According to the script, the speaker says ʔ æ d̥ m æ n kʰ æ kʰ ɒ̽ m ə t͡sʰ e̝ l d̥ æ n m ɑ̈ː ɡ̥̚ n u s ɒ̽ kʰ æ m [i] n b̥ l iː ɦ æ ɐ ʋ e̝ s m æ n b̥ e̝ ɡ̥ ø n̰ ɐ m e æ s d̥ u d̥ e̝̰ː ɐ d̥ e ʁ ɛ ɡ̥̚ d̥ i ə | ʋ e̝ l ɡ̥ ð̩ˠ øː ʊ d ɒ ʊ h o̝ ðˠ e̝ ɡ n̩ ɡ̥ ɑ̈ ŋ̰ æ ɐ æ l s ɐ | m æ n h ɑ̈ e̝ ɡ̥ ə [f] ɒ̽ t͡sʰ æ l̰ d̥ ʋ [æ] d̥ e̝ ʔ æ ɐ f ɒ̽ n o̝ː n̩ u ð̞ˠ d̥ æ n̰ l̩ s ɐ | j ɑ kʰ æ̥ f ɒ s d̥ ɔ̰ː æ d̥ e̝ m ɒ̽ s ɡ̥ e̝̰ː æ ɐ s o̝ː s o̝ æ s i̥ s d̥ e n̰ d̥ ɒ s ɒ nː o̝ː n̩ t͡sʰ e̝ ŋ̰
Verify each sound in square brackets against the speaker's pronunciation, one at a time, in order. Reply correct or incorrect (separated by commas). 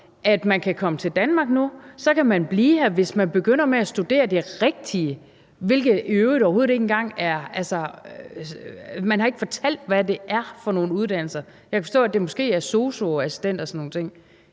incorrect, correct, correct